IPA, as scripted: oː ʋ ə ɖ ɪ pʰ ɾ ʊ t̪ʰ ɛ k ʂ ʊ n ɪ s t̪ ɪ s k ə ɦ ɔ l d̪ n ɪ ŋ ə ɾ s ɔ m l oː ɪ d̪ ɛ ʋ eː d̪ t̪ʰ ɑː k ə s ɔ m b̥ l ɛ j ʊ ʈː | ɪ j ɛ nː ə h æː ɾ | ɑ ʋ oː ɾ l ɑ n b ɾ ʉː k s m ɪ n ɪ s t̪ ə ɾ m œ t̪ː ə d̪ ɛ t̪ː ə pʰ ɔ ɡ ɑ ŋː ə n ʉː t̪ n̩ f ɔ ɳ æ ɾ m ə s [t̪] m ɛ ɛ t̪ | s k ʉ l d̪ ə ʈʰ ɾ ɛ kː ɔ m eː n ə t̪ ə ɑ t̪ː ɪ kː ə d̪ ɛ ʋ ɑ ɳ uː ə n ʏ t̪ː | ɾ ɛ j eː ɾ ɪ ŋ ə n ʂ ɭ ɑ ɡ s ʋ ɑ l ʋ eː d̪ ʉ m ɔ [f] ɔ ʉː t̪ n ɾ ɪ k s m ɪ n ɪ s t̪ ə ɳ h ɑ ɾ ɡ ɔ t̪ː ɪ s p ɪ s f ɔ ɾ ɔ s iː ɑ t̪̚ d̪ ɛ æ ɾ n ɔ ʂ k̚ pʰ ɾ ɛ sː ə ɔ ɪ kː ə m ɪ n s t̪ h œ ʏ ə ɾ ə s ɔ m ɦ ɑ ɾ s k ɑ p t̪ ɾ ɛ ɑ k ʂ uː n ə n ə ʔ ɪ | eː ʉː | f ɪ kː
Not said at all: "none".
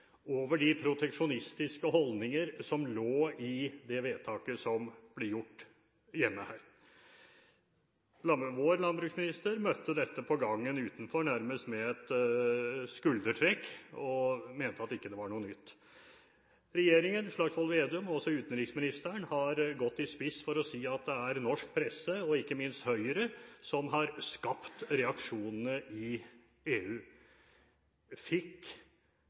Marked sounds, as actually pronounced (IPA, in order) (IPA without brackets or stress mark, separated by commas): t̪, s